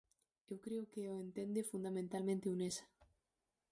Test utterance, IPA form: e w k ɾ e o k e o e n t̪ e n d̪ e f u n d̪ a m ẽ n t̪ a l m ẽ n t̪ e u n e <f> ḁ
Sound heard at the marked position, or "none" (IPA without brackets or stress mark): s